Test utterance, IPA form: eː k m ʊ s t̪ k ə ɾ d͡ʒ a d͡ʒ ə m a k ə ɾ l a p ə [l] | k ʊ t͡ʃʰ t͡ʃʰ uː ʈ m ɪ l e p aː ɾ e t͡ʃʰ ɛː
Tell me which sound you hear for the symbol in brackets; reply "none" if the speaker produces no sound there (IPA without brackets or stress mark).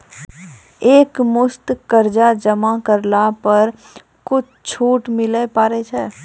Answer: ɾ